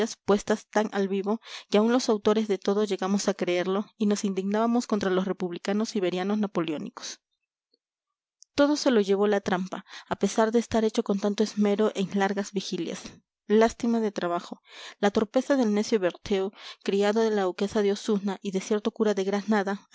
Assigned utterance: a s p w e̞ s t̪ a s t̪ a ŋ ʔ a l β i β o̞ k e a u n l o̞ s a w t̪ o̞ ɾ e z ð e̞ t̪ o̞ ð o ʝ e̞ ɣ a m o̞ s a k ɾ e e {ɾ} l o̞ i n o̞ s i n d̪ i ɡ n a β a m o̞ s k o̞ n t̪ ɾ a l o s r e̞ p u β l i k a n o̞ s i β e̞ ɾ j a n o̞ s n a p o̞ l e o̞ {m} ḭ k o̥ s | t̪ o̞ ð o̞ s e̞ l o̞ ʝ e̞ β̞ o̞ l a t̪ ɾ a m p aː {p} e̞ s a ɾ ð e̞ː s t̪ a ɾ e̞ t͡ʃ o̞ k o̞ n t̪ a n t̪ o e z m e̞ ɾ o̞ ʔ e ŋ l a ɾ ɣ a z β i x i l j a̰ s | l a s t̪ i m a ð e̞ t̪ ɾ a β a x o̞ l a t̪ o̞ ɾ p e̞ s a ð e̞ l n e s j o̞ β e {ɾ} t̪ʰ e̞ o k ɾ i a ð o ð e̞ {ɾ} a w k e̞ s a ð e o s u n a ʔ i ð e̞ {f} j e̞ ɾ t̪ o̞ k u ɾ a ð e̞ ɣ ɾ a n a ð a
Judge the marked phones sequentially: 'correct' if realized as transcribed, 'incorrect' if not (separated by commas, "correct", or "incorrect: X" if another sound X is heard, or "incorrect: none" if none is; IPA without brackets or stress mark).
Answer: correct, incorrect: n, correct, correct, incorrect: l, incorrect: s